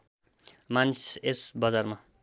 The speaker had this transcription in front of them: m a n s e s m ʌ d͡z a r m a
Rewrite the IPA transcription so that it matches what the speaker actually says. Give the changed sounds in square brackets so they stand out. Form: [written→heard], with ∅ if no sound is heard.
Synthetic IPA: m a n s e s [m→b] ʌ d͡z a r m a